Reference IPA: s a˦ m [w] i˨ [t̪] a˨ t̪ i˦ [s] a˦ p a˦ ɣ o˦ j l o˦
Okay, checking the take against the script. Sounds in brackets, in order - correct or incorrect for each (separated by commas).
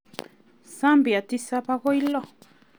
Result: incorrect, incorrect, correct